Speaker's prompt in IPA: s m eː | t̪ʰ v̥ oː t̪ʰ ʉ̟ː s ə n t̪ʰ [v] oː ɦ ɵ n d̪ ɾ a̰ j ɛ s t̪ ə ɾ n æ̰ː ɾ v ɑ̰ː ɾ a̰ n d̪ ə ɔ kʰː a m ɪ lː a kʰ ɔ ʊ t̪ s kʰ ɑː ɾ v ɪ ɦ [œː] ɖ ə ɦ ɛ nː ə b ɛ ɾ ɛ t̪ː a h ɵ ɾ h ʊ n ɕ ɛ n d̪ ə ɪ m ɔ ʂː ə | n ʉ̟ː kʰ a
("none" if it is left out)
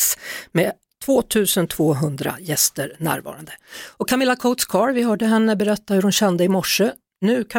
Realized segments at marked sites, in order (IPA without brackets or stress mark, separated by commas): v, œː